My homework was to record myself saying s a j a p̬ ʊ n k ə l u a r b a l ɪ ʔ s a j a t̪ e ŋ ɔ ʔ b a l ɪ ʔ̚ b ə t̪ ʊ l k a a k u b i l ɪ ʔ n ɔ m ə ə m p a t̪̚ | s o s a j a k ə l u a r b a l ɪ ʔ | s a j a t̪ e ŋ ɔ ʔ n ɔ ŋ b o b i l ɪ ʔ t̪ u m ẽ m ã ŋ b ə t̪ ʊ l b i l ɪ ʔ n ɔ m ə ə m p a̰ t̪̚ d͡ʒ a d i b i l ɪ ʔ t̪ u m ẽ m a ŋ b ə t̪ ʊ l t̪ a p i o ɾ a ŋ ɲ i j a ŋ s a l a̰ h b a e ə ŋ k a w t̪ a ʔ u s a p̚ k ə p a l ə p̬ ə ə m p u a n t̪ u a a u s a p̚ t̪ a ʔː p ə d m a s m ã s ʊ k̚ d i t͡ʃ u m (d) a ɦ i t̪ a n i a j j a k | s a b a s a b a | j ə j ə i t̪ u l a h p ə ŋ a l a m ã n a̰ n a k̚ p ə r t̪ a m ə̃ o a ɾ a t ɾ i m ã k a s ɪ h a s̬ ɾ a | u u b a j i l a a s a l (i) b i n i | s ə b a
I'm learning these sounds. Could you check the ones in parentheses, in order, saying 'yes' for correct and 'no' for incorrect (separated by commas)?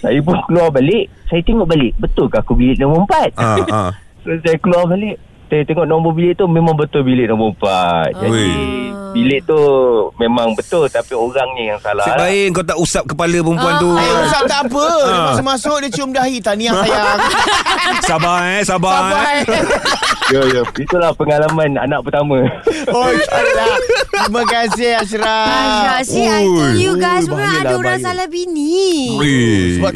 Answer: yes, no